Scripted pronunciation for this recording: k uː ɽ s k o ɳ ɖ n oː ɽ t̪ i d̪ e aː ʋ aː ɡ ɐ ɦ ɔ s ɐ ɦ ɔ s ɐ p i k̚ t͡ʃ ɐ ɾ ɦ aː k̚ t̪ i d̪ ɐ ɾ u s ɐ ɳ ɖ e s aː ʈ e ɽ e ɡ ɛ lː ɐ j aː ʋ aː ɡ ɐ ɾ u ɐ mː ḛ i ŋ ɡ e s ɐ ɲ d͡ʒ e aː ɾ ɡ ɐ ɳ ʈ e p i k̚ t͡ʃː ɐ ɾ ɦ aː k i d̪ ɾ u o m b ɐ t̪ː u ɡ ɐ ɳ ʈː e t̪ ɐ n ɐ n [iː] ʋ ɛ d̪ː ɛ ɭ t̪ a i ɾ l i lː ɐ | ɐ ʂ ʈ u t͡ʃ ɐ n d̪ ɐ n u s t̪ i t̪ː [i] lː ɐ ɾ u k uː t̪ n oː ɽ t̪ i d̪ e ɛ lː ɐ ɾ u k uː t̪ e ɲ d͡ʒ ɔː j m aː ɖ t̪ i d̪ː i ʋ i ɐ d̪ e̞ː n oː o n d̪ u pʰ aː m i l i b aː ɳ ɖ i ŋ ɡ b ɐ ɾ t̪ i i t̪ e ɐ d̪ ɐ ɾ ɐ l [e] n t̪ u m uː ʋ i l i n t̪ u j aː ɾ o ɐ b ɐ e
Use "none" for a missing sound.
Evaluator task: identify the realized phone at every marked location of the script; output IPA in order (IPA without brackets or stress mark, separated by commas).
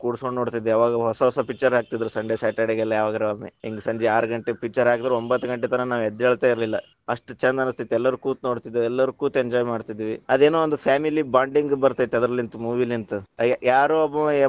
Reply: aː, ɛ, i